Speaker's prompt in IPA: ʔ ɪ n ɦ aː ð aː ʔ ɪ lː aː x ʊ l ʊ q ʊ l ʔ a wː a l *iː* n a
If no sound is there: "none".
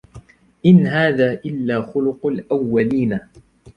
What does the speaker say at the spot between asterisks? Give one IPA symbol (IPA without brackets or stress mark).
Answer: iː